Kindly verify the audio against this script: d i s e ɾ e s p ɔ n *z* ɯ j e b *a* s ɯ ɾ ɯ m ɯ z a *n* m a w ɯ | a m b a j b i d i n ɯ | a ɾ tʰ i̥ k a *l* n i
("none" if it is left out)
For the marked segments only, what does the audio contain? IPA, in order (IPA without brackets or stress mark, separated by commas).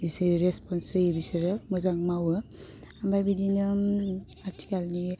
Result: s, i, ŋ, l